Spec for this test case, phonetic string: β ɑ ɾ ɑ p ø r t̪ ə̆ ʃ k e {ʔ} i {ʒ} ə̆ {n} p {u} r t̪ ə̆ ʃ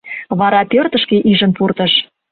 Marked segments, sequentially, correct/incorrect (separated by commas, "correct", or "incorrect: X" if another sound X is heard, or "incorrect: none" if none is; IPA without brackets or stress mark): correct, correct, correct, correct